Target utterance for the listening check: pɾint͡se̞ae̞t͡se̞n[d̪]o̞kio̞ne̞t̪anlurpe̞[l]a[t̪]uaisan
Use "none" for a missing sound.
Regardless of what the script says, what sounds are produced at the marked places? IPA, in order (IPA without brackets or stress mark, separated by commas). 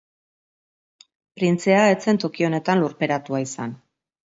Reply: t̪, ɾ, t̪